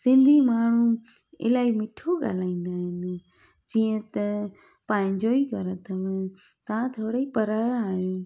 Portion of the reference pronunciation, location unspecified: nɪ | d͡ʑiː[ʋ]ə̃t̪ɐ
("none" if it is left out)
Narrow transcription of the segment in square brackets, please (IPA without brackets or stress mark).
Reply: none